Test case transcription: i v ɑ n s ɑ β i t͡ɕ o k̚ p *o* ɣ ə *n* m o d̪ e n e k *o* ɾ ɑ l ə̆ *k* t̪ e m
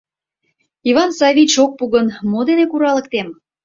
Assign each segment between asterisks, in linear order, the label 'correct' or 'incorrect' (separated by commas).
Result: incorrect, correct, incorrect, correct